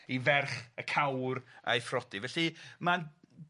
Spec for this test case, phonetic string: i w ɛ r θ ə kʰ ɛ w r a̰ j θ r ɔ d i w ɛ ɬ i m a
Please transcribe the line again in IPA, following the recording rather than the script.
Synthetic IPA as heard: i v ɛ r χ ə kʰ a w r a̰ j f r ɔ d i v ɛ ɬ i m a